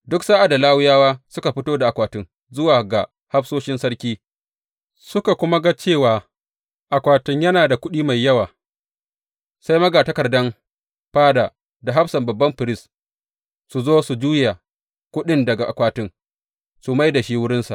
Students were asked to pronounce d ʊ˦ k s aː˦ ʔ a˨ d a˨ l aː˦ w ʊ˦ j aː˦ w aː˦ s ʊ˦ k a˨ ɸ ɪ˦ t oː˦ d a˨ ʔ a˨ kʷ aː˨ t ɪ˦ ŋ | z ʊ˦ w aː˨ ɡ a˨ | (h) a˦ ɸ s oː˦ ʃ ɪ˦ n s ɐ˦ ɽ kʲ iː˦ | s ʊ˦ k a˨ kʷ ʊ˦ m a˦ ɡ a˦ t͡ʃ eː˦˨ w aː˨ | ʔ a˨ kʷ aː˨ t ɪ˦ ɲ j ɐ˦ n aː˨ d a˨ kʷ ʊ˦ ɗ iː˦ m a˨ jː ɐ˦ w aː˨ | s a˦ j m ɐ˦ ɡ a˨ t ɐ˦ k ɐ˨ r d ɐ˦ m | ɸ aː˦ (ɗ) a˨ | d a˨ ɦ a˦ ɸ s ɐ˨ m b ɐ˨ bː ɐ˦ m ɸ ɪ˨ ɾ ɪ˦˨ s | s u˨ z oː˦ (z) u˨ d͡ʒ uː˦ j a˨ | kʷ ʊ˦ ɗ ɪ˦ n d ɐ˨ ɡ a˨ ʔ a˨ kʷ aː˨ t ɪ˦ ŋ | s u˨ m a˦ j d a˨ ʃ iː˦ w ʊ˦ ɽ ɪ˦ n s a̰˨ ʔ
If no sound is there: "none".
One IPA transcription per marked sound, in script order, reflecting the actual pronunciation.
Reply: h, d, s

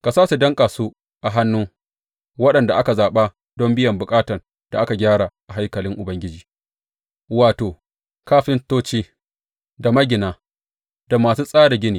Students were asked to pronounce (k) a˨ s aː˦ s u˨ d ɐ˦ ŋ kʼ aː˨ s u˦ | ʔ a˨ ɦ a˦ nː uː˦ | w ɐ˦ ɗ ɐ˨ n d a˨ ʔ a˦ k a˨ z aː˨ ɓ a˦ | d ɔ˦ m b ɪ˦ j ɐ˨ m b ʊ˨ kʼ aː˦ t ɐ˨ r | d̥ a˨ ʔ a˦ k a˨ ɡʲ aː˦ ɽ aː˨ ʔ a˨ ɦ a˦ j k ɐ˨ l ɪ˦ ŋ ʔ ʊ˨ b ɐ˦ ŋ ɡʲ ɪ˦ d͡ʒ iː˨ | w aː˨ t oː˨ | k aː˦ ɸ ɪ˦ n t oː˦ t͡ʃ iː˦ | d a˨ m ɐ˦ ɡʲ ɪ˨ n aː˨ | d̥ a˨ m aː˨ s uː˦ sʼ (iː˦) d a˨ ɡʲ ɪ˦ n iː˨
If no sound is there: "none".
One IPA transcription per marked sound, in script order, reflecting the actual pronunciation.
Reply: k, aː˦

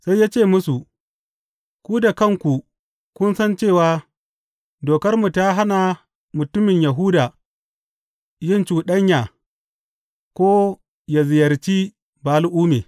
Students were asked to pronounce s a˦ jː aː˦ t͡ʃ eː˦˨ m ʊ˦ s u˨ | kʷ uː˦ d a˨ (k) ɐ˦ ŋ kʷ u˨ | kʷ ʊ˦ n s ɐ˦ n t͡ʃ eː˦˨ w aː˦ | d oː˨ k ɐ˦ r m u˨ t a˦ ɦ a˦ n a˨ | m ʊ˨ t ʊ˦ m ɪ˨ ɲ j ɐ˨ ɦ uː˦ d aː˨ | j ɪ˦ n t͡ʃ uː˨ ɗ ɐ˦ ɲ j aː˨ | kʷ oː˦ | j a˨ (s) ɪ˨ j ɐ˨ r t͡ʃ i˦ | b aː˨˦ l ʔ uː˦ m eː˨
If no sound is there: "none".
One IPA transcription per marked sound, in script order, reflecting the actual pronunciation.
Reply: k, z

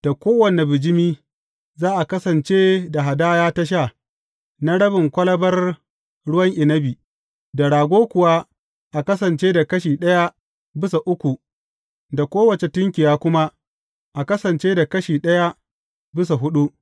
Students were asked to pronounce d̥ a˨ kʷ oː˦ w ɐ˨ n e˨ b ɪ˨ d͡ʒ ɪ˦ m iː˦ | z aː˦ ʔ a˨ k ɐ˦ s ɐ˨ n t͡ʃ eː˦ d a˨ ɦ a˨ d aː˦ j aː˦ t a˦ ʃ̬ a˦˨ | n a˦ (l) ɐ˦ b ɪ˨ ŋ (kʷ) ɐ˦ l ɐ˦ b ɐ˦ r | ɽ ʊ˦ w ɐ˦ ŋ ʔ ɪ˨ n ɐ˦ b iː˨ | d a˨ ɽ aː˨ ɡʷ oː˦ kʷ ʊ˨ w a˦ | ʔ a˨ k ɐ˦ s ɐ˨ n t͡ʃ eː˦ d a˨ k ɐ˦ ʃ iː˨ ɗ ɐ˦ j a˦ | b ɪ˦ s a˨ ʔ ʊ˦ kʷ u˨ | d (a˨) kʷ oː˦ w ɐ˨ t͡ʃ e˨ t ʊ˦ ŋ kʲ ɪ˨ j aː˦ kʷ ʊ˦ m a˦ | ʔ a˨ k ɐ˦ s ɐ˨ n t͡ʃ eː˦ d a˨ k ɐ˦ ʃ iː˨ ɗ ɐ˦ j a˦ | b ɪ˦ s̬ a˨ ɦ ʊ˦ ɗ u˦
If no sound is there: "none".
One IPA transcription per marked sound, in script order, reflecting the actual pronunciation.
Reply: ɽ, kʷ, a˨

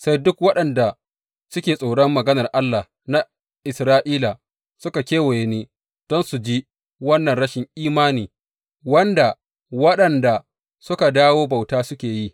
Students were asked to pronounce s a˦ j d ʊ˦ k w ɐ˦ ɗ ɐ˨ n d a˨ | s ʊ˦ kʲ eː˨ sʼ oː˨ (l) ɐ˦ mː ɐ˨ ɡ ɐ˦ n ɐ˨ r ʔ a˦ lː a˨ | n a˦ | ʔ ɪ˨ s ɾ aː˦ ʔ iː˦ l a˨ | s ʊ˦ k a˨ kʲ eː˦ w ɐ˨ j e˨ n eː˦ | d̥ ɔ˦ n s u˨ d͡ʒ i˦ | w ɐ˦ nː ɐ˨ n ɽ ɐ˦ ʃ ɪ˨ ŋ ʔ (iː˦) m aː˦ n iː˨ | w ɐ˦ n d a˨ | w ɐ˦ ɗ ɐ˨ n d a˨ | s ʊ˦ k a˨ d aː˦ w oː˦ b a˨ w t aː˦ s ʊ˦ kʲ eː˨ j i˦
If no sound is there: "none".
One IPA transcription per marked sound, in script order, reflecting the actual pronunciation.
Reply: ɽ, iː˦

